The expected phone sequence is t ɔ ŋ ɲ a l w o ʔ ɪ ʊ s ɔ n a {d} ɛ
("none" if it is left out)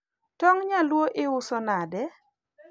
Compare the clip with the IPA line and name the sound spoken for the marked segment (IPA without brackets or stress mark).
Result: d